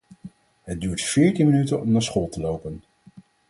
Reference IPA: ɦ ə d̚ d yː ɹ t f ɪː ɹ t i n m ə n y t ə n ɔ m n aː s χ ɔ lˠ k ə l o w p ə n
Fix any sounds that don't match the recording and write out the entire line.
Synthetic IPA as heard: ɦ ə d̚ d yː ɹ t f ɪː ɹ t i n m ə n y t ə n ɔ m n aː s χ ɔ lˠ t ə l o w p ə n